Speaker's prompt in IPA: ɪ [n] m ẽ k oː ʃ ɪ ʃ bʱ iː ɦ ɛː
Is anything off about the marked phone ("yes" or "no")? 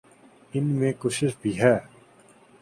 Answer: no